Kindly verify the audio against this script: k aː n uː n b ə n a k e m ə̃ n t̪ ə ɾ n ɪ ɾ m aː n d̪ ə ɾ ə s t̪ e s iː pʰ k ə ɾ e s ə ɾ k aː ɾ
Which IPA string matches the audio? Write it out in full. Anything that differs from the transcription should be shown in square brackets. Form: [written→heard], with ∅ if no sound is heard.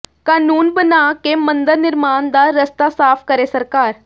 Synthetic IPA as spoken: k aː n uː n b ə n a k e m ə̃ n [t̪→d̪] ə ɾ n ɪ ɾ m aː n d̪ [ə→a] ɾ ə s t̪ [e→a] s [iː→aː] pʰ k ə ɾ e s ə ɾ k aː ɾ